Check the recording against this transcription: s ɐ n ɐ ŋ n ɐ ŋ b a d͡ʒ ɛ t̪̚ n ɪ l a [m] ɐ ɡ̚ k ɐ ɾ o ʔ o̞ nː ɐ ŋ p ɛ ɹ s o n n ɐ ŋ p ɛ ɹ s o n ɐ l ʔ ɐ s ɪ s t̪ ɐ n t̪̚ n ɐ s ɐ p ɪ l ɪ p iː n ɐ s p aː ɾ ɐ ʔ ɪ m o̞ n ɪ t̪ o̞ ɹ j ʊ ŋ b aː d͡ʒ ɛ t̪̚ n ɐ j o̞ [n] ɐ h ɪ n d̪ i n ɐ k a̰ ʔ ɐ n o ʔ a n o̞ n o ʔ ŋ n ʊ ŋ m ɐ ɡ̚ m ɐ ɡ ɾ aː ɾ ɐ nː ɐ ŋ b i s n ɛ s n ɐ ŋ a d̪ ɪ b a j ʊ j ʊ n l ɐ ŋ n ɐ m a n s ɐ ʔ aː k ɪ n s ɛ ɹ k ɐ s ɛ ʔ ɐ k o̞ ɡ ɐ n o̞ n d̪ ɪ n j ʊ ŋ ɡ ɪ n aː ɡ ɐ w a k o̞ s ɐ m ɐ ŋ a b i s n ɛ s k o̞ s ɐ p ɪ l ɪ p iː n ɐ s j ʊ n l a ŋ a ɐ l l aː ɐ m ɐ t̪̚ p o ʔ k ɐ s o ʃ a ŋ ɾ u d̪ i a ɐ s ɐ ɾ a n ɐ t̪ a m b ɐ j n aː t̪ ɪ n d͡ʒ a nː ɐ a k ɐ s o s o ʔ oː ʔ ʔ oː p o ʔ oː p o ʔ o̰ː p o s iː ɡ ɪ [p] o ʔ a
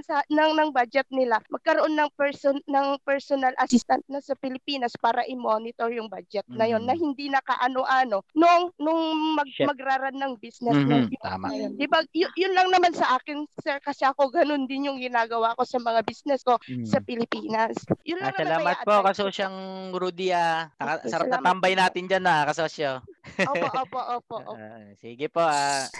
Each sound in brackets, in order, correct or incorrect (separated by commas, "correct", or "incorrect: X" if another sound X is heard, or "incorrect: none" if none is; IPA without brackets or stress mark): correct, incorrect: nː, correct